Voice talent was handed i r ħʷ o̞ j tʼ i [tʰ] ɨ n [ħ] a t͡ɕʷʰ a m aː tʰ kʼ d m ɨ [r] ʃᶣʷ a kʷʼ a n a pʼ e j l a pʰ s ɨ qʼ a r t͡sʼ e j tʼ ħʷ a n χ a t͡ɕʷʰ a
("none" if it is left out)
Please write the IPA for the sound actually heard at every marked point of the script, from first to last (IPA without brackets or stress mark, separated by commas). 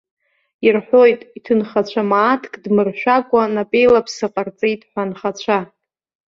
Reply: tʰ, χ, r